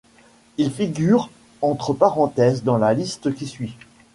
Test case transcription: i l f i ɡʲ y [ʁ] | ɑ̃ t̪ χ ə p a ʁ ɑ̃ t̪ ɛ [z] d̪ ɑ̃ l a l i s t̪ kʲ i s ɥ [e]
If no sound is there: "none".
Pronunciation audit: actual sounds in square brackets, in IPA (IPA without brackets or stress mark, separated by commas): ʁ, z, i